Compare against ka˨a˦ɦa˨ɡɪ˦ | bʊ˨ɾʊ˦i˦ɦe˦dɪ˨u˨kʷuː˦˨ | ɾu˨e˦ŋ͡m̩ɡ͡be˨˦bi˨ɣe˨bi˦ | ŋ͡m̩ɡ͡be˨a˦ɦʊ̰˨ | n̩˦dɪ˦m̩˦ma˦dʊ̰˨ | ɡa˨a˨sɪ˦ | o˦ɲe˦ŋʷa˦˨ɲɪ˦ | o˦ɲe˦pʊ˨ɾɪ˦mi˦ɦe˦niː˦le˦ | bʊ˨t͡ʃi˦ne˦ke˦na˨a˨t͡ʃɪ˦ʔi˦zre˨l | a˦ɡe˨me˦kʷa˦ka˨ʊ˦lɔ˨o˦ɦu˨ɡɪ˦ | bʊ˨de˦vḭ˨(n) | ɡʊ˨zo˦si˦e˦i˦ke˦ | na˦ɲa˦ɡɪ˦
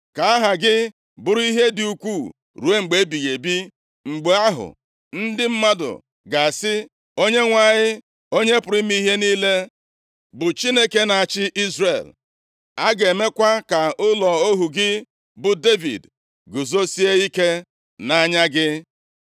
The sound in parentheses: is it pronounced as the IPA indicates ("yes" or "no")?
no